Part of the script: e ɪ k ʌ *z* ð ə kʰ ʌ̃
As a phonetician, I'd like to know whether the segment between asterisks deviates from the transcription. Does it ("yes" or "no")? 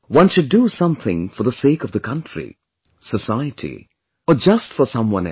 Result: yes